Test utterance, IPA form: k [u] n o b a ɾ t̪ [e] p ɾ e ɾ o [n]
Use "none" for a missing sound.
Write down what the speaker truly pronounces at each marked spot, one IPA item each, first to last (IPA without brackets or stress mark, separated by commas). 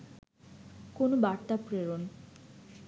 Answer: o, a, n